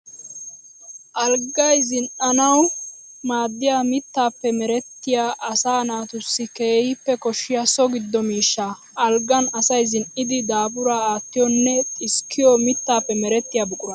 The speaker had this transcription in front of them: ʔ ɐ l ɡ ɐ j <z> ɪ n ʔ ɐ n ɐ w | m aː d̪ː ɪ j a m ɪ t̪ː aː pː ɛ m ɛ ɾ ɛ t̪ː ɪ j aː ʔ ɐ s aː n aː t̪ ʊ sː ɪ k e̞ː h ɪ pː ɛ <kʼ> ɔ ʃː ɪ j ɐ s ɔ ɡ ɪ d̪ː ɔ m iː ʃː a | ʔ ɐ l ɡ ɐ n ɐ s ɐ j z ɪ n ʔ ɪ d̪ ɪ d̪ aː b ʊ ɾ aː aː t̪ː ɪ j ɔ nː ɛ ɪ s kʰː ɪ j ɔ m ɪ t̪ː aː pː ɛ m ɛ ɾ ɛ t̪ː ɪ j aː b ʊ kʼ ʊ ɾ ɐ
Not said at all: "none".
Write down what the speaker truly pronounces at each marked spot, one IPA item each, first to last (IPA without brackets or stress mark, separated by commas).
z, k